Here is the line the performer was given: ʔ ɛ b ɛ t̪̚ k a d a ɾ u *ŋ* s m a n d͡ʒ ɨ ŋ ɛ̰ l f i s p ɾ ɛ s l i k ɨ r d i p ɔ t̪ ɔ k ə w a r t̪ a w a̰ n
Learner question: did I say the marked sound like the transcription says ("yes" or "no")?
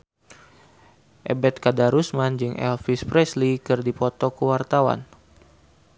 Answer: no